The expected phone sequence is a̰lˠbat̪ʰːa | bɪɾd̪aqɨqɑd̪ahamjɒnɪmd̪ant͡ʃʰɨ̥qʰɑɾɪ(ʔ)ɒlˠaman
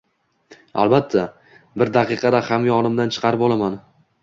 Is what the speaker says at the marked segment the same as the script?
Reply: no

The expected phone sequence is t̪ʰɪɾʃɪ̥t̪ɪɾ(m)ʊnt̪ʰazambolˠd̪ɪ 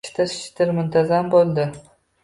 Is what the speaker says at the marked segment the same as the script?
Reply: yes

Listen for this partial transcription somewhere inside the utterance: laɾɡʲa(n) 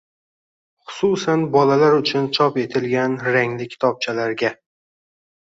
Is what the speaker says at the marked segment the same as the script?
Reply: no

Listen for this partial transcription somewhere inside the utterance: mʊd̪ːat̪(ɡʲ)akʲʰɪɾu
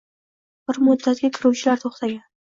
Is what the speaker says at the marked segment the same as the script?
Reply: yes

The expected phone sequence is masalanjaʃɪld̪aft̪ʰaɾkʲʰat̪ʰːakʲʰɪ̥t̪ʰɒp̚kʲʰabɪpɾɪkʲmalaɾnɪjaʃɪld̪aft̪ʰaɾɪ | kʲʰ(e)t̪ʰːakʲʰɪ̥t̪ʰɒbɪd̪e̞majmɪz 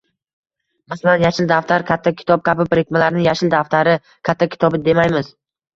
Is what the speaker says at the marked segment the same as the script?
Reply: no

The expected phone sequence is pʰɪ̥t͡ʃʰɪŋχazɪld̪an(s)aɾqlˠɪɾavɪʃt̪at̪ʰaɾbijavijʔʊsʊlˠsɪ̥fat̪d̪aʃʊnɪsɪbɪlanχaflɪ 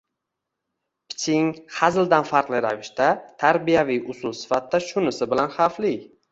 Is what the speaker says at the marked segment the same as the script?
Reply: no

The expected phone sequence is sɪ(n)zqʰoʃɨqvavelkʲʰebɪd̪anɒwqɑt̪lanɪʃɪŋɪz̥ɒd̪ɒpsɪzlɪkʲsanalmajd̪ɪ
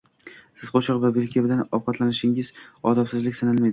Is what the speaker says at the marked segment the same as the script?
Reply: no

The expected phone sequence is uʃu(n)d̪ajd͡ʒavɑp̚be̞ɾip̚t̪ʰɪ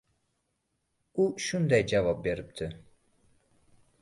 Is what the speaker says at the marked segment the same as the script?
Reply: yes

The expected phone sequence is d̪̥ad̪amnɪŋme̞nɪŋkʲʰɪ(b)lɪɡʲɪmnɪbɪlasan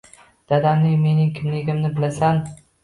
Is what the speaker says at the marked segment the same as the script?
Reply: no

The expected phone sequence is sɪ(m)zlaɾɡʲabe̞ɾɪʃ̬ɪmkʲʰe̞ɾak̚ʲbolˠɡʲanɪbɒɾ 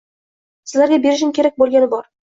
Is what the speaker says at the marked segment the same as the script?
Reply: no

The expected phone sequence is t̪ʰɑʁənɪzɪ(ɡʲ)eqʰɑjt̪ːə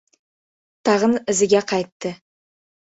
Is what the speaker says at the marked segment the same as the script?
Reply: yes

